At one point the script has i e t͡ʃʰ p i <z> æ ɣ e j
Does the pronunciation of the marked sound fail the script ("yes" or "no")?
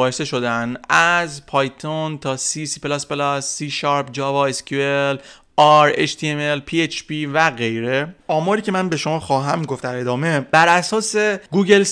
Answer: yes